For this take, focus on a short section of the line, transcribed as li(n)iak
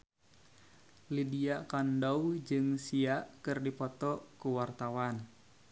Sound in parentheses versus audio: incorrect: d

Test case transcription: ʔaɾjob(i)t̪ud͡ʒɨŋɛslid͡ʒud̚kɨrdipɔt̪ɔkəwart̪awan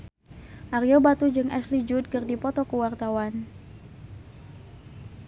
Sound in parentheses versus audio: incorrect: a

